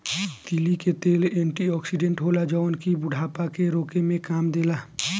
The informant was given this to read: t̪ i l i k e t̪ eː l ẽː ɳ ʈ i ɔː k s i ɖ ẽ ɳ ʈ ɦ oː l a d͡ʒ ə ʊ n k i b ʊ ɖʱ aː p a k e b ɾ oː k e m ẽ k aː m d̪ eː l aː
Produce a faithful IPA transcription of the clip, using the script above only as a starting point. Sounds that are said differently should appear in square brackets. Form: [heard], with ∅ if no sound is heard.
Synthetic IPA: t̪ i l i k e t̪ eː l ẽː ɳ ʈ i ɔː k s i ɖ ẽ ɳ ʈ ɦ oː l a d͡ʒ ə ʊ n k i b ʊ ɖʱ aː p a k e [∅] ɾ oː k e m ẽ k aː m d̪ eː l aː